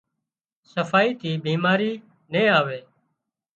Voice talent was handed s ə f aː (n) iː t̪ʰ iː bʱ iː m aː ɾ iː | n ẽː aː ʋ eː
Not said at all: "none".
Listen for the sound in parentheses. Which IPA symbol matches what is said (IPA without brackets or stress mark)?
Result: none